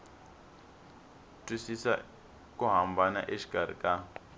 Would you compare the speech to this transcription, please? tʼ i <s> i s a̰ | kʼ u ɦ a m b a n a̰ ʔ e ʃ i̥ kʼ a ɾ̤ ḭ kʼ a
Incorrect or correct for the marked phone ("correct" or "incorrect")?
correct